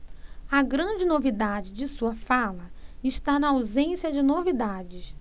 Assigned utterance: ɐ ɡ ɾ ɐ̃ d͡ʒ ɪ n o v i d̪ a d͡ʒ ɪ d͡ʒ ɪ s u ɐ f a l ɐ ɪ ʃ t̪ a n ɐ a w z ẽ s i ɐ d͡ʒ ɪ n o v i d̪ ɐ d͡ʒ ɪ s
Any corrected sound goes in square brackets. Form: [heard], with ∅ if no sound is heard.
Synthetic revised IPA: ɐ ɡ ɾ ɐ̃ d͡ʒ ɪ n o v i d̪ a d͡ʒ ɪ d͡ʒ ɪ s u ɐ f a l ɐ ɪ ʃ t̪ a n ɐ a w z ẽ s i ɐ d͡ʒ ɪ n o v i d̪ [a] d͡ʒ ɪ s